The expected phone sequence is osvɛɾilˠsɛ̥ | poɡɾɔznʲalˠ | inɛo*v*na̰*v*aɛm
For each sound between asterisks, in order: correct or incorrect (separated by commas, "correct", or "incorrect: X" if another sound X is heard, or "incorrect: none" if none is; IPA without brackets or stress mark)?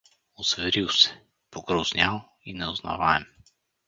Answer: incorrect: z, correct